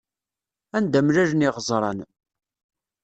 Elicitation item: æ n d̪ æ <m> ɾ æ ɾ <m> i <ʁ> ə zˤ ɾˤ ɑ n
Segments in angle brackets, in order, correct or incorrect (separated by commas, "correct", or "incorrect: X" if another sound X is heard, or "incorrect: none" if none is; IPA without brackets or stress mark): correct, incorrect: n, correct